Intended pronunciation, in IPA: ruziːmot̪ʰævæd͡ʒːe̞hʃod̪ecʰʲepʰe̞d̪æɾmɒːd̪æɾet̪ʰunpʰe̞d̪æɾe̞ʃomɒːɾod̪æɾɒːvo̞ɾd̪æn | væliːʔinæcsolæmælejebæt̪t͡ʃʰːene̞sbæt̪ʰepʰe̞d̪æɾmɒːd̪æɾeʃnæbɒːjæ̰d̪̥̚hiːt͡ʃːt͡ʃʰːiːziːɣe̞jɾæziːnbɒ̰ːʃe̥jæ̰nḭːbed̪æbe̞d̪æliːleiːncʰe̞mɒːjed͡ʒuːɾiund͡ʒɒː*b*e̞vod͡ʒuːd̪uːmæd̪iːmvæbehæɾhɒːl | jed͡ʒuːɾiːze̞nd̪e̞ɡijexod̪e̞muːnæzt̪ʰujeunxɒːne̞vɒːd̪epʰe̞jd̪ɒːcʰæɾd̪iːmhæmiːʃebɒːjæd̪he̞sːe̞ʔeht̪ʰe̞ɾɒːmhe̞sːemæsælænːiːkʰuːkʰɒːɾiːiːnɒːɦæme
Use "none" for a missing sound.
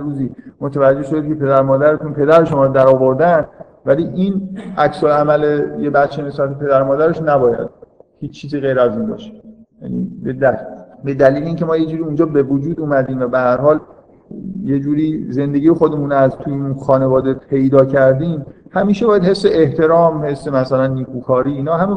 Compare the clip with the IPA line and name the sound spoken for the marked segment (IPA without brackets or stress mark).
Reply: b